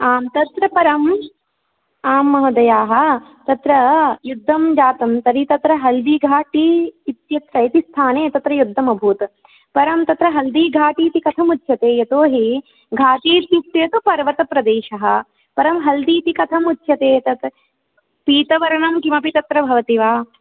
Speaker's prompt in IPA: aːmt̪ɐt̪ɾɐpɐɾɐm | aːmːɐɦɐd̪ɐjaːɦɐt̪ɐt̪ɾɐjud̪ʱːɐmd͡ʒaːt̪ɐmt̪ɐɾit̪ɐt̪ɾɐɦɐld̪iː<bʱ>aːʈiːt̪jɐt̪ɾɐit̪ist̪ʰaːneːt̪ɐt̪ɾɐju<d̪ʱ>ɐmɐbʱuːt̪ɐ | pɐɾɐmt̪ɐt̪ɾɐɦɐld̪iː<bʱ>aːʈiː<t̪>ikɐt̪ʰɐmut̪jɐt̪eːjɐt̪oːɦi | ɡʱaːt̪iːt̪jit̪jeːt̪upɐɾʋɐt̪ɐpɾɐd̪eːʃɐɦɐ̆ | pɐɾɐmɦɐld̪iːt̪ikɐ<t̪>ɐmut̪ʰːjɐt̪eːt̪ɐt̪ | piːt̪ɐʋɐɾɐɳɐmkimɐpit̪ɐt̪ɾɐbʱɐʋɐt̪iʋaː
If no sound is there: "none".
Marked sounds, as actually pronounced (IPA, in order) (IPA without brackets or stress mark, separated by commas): ɡʱ, d̪ʱː, ɡʱ, t̪, t̪ʰ